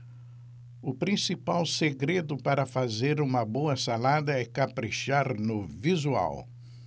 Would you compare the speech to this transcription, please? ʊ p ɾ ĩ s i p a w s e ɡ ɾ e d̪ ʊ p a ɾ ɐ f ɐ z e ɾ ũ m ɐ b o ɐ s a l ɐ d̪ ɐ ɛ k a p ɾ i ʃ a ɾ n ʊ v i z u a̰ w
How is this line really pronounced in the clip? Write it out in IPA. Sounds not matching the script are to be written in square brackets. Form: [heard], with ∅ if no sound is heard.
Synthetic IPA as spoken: ʊ p ɾ ĩ s i p a w s e ɡ ɾ e d̪ ʊ p a ɾ ɐ f [a] z e ɾ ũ m ɐ b o ɐ s a l [a] d̪ ɐ ɛ k a p ɾ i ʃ a ɾ n ʊ v i z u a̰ w

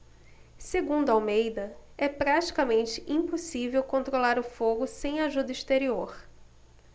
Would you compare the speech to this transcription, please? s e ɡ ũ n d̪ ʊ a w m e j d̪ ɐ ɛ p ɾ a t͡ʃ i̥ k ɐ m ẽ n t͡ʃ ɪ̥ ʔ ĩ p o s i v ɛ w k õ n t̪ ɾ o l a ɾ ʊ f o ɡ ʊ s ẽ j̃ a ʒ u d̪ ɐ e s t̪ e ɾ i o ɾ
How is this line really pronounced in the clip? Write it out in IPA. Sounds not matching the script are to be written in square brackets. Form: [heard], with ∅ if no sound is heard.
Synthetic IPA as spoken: s e ɡ ũ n d̪ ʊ a w m e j d̪ ɐ ɛ p ɾ a t͡ʃ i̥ k ɐ m ẽ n t͡ʃ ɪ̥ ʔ ĩ p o s i v [e] w k õ n t̪ ɾ o l a ɾ ʊ f o ɡ ʊ s ẽ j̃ a ʒ u d̪ ɐ [i] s t̪ e ɾ i o ɾ

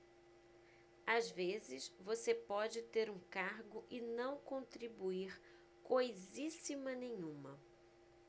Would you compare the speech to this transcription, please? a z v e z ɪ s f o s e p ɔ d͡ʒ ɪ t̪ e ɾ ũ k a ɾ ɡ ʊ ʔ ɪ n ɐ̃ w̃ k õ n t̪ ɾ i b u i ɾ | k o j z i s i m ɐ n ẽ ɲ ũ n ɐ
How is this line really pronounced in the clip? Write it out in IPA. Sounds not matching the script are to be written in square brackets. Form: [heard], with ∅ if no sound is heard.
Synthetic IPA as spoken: a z v e z ɪ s [v] o s e p ɔ d͡ʒ ɪ t̪ e ɾ ũ k a ɾ ɡ ʊ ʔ ɪ n ɐ̃ w̃ k õ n t̪ ɾ i b u i ɾ | k o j z i s i m ɐ n ẽ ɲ ũ [m] ɐ

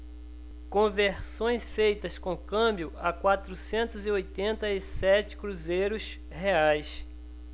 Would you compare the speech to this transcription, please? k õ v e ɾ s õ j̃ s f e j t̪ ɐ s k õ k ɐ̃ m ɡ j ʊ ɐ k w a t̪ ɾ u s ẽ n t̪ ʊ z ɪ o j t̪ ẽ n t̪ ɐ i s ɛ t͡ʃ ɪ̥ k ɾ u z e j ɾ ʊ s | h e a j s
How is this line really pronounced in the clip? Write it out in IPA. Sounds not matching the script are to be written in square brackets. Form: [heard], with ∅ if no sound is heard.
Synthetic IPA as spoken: k õ v e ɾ s õ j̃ s f e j t̪ ɐ s k õ k ɐ̃ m [b] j ʊ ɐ k w a t̪ ɾ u s ẽ n t̪ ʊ z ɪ o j t̪ ẽ n t̪ ɐ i s ɛ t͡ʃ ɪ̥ k ɾ u z e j ɾ ʊ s | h e a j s

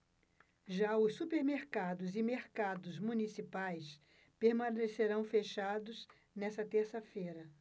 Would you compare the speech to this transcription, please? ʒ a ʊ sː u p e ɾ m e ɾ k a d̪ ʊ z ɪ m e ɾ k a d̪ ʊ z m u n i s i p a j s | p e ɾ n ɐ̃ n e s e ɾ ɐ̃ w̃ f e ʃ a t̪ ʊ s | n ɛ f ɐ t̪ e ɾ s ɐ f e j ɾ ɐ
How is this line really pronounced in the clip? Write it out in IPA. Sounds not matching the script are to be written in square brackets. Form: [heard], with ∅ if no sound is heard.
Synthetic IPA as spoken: ʒ a ʊ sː u p e ɾ m e ɾ k a d̪ ʊ z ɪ m e ɾ k a d̪ ʊ z m u n i s i p a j s | p e ɾ [m] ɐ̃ n e s e ɾ ɐ̃ w̃ f e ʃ a [d̪] ʊ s | n ɛ [s] ɐ t̪ e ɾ s ɐ f e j ɾ ɐ

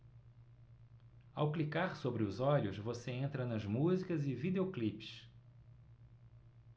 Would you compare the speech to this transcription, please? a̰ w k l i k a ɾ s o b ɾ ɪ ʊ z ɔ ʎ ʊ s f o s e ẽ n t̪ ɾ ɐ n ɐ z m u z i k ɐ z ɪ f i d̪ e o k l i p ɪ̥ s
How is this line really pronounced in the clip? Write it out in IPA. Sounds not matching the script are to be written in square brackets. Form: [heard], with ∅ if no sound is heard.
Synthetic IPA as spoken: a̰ w k l i k a ɾ s o b ɾ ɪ ʊ z ɔ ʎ ʊ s [v] o s e ẽ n t̪ ɾ ɐ n ɐ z m u z i k ɐ z ɪ [v] i d̪ e o k l i p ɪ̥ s

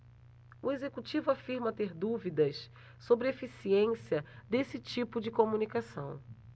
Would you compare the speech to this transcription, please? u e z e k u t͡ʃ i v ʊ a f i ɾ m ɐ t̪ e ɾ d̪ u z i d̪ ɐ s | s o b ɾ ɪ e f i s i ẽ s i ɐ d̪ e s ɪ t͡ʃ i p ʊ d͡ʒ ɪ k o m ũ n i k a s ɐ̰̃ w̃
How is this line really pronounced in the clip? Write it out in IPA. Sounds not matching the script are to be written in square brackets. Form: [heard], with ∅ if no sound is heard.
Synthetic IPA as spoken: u e z e k u t͡ʃ i v ʊ a f i ɾ m ɐ t̪ e ɾ d̪ u [v] i d̪ ɐ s | s o b ɾ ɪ e f i s i ẽ s i ɐ d̪ e s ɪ t͡ʃ i p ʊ d͡ʒ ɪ k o m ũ n i k a s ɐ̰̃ w̃

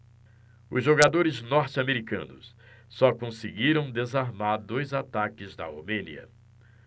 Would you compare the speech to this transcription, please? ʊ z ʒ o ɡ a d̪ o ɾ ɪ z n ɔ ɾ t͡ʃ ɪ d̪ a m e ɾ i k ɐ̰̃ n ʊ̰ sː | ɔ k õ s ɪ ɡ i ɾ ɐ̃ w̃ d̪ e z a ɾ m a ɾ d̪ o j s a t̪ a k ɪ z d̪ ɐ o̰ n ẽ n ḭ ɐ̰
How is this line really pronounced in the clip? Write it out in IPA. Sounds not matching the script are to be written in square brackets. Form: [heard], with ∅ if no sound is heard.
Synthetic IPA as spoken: ʊ z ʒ o ɡ a d̪ o ɾ ɪ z n ɔ ɾ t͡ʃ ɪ [∅] a m e ɾ i k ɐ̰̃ n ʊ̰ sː | ɔ k õ s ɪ ɡ i ɾ ɐ̃ w̃ d̪ e z a ɾ m a ɾ d̪ o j [z] a t̪ a k ɪ z d̪ ɐ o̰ [m] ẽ n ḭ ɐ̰

